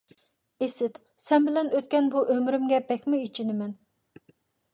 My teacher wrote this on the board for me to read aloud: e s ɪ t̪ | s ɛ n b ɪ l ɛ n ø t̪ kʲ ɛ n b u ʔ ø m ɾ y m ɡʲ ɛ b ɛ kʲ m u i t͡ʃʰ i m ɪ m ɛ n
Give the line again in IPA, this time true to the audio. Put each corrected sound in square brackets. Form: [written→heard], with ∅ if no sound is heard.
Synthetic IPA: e s ɪ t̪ | s ɛ n b ɪ l ɛ n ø t̪ kʲ ɛ n b u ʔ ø m ɾ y m ɡʲ ɛ b ɛ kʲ m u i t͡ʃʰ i [m→n] ɪ m ɛ n